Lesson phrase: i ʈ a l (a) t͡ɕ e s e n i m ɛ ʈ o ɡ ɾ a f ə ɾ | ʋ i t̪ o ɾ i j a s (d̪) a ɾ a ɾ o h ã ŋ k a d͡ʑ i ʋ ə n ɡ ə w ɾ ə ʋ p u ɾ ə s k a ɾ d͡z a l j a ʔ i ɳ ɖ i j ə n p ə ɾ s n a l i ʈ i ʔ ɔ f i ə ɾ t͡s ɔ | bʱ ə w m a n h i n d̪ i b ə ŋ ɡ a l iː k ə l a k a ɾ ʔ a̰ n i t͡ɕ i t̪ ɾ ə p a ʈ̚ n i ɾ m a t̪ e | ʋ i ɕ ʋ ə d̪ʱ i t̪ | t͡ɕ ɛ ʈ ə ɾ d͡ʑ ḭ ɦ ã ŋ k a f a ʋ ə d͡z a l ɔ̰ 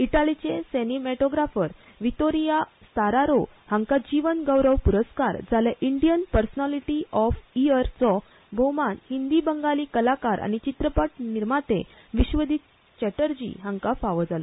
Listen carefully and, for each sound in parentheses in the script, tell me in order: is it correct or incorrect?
incorrect: i, incorrect: t̪

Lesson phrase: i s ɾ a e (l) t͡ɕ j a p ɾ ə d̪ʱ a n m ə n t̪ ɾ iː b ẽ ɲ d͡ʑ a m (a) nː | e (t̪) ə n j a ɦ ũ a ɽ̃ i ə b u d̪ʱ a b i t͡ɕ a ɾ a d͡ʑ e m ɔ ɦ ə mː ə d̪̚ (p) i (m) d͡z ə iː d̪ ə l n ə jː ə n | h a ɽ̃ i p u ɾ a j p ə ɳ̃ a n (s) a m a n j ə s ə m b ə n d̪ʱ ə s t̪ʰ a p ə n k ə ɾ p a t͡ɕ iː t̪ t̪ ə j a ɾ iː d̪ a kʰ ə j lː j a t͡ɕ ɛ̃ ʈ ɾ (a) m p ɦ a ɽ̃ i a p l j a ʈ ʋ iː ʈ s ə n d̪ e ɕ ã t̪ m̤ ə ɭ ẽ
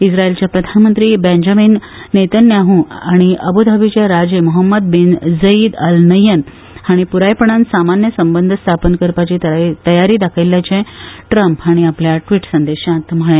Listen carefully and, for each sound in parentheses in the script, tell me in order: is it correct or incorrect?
correct, incorrect: i, correct, incorrect: b, incorrect: n, correct, incorrect: ə

